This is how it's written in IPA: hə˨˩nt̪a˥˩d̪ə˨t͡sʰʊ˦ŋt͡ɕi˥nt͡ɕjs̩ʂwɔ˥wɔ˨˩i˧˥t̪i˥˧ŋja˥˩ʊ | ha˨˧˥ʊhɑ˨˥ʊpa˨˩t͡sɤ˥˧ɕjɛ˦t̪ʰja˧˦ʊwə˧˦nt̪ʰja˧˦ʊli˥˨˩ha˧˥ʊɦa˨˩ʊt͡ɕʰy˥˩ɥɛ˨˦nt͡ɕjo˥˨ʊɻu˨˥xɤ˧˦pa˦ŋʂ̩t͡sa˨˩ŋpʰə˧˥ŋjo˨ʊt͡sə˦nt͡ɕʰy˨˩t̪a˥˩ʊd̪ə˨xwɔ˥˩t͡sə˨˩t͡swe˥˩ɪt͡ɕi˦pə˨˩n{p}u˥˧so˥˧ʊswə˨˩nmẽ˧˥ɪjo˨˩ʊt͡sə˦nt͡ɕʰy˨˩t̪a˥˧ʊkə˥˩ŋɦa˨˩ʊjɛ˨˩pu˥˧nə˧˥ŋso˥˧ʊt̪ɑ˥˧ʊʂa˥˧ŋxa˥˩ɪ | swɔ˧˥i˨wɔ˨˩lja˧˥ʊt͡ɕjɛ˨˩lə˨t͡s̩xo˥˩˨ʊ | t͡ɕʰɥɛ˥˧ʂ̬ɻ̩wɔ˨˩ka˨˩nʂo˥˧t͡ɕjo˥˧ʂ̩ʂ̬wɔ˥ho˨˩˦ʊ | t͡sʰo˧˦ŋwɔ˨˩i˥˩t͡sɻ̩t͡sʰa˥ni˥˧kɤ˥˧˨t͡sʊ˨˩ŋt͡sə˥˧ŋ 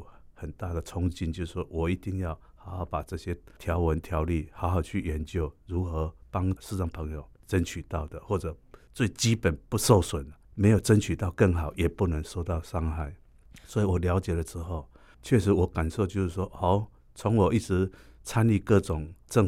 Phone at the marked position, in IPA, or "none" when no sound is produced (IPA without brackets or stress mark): p